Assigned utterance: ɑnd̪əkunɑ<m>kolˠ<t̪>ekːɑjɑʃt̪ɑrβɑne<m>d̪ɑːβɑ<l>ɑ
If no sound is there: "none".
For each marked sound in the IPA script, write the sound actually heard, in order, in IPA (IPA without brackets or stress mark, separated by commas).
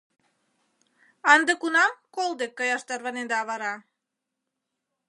m, d̪, n, ɾ